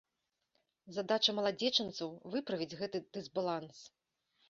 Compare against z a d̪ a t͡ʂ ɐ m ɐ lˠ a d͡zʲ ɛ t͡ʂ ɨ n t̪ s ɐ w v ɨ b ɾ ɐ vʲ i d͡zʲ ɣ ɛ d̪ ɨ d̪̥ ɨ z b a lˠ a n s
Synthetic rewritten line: z a d̪ a t͡ʂ ɐ m ɐ lˠ a d͡zʲ ɛ t͡ʂ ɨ n t̪ s ɐ w v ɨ p ɾ ɐ vʲ i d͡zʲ ɣ ɛ t̪ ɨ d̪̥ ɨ z b a lˠ a n s